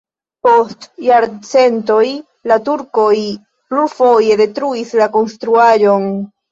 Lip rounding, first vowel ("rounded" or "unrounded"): rounded